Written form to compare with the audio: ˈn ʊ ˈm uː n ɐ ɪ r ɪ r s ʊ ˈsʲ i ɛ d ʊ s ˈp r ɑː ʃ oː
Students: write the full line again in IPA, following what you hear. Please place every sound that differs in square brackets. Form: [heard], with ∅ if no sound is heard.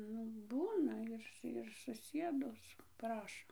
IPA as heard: ˈn ʊ [ˈb] uː n ɐ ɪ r ɪ r s ʊ ˈsʲ i ɛ d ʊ s ˈp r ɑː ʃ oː

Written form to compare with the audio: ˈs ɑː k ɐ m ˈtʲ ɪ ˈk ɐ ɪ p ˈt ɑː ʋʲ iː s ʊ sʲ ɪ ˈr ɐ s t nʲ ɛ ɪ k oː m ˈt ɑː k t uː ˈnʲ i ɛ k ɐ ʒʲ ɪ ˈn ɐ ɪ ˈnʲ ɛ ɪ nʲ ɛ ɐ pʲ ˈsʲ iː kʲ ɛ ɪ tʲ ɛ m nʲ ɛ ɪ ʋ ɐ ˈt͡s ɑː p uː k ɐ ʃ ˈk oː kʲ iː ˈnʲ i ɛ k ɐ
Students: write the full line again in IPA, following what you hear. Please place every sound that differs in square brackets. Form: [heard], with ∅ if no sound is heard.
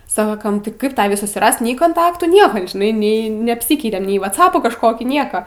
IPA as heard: ˈs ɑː k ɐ m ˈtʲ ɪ ˈk ɐ ɪ p ˈt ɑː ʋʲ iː s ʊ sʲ ɪ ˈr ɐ s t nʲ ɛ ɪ k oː [n] ˈt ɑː k t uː ˈnʲ i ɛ k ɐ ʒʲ ɪ ˈn ɐ ɪ ˈnʲ ɛ ɪ nʲ ɛ ɐ pʲ ˈsʲ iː kʲ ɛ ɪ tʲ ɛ m nʲ ɛ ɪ ʋ ɐ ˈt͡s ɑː p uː k ɐ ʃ ˈk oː kʲ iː ˈnʲ i ɛ k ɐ

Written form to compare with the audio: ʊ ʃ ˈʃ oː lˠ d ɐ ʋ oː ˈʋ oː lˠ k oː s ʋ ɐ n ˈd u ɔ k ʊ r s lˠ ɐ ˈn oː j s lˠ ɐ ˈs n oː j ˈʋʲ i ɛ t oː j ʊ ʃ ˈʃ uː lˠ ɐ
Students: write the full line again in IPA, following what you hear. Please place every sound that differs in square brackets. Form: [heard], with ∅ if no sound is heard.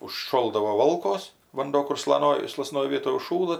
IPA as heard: ʊ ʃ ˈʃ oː lˠ d ɐ ʋ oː ˈʋ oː lˠ k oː s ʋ ɐ n ˈd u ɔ k ʊ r s lˠ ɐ ˈn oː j s lˠ ɐ ˈs n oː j ˈʋʲ i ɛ t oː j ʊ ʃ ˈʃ uː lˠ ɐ

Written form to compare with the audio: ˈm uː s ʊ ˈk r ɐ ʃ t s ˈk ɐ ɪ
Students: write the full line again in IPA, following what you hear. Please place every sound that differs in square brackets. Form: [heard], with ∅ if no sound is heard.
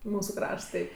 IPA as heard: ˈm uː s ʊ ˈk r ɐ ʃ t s [ˈt] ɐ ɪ

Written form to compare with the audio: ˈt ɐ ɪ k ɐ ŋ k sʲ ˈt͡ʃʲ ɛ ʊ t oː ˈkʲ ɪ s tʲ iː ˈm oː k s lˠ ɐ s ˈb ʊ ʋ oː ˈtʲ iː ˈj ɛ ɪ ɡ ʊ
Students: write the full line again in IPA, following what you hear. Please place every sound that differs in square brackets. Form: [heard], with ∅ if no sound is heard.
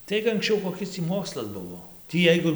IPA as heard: ˈt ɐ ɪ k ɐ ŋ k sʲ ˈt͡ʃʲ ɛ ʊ [k] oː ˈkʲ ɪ s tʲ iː ˈm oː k s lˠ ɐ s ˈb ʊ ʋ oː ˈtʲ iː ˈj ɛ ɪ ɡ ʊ

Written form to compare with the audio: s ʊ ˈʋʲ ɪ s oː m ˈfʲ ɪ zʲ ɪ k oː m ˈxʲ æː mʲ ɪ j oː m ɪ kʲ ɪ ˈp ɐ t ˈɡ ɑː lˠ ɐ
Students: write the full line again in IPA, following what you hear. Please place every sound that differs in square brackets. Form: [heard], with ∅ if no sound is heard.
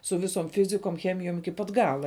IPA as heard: s ʊ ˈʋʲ ɪ s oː m ˈfʲ ɪ zʲ ɪ k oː m ˈxʲ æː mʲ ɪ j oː m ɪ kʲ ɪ ˈp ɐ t ˈɡ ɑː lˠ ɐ

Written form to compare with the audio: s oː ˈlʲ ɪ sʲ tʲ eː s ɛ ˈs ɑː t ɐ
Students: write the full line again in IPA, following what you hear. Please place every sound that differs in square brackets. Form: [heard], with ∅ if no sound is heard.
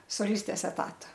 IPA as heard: s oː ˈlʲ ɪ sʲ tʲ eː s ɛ [ˈt] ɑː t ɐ

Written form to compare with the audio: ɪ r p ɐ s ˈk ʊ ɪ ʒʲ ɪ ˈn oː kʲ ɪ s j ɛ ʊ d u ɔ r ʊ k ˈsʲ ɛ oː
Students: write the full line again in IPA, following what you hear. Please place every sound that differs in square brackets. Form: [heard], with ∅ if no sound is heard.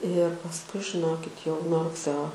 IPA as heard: ɪ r p ɐ s ˈk ʊ ɪ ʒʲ ɪ ˈn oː kʲ ɪ [t] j ɛ ʊ [n] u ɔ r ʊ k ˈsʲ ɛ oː

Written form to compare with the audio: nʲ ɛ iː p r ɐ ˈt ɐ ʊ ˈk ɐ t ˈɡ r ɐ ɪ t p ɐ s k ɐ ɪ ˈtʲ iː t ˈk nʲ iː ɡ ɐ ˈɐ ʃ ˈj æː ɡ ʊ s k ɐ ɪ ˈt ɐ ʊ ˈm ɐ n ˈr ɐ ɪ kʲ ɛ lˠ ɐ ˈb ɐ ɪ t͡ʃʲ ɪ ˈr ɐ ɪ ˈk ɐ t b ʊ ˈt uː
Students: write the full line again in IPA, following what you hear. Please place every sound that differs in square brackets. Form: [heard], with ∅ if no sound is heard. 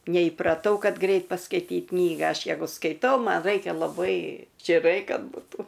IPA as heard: nʲ ɛ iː p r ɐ ˈt ɐ ʊ ˈk ɐ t ˈɡ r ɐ ɪ t p ɐ s k ɐ ɪ ˈtʲ iː t ˈk nʲ iː ɡ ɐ ˈɐ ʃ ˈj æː ɡ ʊ s k ɐ ɪ ˈt ɐ ʊ ˈm ɐ n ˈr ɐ ɪ kʲ ɛ lˠ ɐ ˈb ɐ ɪ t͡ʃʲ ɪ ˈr ɐ ɪ ˈk ɐ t b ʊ ˈt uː

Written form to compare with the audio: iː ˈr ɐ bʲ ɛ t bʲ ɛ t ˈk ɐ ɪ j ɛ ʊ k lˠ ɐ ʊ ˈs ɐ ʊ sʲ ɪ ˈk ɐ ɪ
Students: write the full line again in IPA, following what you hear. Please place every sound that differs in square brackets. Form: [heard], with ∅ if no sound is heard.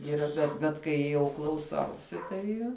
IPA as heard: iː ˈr ɐ bʲ ɛ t bʲ ɛ t ˈk ɐ ɪ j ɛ ʊ k lˠ ɐ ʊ ˈs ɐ ʊ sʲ ɪ [ˈt] ɐ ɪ

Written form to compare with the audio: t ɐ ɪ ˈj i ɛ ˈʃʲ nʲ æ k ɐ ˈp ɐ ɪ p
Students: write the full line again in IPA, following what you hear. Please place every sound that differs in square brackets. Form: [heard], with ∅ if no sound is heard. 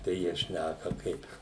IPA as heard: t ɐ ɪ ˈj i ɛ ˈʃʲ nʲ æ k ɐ [ˈk] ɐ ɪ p

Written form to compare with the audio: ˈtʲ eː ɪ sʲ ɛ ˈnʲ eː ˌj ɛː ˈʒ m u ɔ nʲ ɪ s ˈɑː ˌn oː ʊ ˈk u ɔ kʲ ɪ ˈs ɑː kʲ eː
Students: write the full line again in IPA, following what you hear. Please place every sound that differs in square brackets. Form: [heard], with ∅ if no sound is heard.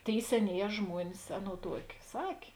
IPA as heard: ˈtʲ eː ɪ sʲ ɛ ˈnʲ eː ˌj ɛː ˈʒ m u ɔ nʲ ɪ s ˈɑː ˌn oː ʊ [ˈt] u ɔ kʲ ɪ ˈs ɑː kʲ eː

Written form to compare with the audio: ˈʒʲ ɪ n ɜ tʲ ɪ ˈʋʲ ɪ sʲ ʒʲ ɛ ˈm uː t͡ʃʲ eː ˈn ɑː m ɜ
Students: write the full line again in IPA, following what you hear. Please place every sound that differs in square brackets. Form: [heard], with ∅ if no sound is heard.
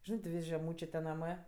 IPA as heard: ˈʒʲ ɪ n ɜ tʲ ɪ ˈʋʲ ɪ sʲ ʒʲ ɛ ˈm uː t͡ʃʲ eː ˈn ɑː m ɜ

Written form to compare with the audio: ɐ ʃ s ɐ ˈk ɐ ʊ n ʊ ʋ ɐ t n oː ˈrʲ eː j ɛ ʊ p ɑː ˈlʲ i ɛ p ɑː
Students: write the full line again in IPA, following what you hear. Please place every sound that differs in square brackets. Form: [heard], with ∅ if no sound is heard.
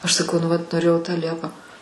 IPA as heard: ɐ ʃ s ɐ ˈk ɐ ʊ n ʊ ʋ ɐ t n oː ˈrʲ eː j ɛ ʊ [t] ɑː ˈlʲ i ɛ p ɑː

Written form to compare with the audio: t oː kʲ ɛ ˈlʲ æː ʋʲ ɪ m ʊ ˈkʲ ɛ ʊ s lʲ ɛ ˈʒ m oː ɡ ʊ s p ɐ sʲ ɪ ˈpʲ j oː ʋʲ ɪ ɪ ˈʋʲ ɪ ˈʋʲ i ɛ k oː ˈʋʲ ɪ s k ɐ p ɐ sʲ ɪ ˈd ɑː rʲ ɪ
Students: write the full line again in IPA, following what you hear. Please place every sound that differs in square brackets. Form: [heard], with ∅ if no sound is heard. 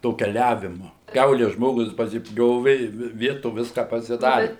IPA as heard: t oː kʲ ɛ ˈlʲ æː ʋʲ ɪ m ʊ ˈkʲ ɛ ʊ [∅] lʲ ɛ ˈʒ m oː ɡ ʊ s p ɐ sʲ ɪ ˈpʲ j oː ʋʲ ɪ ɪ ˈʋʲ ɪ ˈʋʲ i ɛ [t] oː ˈʋʲ ɪ s k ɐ p ɐ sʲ ɪ ˈd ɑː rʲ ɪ

